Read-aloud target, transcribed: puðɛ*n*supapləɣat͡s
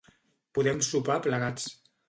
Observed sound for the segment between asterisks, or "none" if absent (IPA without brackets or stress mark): m